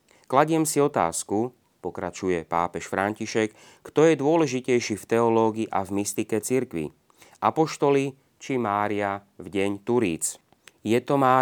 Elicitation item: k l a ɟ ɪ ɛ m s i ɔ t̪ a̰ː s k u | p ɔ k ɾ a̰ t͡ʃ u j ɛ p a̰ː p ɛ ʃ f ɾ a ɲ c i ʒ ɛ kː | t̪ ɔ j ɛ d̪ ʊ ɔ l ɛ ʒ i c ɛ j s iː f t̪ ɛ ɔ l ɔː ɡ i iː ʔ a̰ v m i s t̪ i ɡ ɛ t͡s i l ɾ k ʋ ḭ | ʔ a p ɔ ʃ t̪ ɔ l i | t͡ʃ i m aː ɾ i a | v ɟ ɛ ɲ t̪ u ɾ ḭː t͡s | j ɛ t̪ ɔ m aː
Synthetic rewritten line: k l a ɟ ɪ ɛ m s i ɔ t̪ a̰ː s k u | p ɔ k ɾ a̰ t͡ʃ u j ɛ p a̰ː p ɛ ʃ f ɾ a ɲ c i ʃ ɛ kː | t̪ ɔ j ɛ d̪ ʊ ɔ l ɛ ʒ i c ɛ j ʃ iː f t̪ ɛ ɔ l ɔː ɡ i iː ʔ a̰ v m i s t̪ i k ɛ t͡s i ɾ k ʋ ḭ | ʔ a p ɔ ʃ t̪ ɔ l i | t͡ʃ i m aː ɾ i a | v ɟ ɛ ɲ t̪ u ɾ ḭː t͡s | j ɛ t̪ ɔ m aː